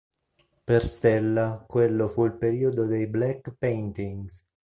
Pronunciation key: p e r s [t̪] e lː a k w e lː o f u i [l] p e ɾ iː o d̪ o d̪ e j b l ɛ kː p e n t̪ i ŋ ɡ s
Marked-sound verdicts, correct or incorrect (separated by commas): correct, correct